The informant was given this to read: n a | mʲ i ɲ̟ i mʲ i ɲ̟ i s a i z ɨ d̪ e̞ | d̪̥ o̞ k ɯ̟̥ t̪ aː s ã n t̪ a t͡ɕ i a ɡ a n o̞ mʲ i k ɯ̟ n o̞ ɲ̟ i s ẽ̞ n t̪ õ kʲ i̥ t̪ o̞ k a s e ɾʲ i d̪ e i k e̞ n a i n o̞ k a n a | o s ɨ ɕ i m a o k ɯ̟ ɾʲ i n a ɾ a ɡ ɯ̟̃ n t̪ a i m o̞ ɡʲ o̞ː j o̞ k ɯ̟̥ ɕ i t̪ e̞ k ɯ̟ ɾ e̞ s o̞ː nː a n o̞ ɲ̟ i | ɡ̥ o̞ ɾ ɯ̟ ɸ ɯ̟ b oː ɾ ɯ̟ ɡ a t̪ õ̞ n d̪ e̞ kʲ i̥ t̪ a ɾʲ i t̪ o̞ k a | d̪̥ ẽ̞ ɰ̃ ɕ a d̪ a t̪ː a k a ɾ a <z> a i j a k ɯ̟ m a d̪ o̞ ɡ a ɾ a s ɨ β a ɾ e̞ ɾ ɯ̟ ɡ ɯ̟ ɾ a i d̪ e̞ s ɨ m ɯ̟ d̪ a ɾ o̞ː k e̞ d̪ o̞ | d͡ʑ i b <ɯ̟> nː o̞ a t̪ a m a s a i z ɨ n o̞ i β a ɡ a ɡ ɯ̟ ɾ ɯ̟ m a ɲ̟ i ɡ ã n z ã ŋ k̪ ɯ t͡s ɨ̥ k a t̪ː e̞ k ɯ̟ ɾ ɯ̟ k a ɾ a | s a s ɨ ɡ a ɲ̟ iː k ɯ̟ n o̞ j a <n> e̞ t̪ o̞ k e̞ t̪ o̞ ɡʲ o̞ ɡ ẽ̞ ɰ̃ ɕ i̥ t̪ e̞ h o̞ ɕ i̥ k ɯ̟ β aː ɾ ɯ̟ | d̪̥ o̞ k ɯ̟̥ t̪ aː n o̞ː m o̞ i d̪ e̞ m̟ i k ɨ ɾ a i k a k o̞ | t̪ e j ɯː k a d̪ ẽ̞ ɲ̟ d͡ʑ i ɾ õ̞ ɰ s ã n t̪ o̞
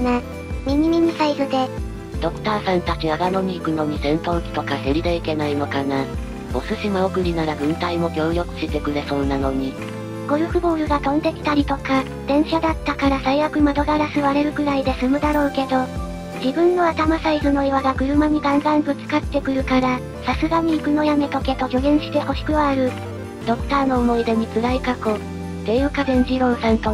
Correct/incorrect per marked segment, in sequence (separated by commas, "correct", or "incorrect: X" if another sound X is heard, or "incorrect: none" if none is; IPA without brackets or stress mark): incorrect: s, incorrect: ɯ̟̃, incorrect: m